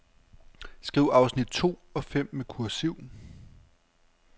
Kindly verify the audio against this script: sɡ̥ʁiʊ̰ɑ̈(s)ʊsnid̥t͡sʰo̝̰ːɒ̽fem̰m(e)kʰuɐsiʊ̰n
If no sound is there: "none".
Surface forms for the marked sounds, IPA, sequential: none, e

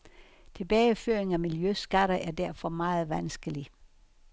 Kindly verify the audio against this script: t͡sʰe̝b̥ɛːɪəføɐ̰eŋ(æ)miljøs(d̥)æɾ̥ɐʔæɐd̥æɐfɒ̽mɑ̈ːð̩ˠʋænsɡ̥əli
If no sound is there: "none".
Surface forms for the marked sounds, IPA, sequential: æ, ɡ̥

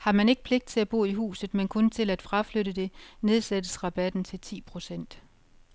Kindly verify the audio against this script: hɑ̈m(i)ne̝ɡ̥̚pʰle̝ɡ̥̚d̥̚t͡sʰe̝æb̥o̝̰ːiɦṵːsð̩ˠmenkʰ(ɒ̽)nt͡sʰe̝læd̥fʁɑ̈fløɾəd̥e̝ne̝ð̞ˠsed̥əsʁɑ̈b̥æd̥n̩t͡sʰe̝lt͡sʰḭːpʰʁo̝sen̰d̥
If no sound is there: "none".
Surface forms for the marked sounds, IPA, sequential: æ, ɔ̽

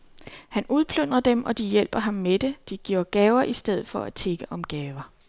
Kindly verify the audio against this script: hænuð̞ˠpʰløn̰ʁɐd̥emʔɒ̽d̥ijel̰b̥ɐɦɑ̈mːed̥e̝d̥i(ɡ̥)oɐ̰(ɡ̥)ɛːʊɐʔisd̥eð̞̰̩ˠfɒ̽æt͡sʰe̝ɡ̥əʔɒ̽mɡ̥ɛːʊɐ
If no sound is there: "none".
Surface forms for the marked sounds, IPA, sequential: ɡ̥, ɡ̥

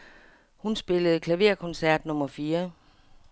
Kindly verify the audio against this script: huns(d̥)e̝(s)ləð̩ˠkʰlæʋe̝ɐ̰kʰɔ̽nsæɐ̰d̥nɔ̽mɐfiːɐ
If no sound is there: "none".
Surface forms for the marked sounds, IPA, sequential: b̥, none

